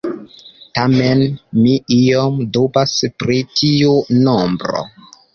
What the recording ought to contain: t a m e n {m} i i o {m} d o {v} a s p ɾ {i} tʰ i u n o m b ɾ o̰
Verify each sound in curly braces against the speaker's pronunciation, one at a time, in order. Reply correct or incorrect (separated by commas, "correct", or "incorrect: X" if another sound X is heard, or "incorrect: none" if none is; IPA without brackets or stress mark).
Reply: correct, correct, incorrect: b, correct